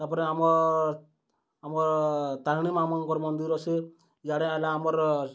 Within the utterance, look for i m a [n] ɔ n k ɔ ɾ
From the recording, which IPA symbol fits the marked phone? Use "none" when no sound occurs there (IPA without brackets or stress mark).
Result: m